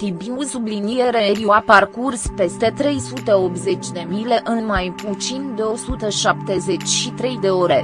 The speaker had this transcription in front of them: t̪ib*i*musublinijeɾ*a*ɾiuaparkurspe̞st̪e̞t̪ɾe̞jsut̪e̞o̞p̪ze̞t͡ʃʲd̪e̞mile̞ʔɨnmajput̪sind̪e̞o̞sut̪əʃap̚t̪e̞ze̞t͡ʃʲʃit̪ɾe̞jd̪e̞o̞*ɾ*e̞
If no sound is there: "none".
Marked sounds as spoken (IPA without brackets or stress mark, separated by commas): i, e, ɾ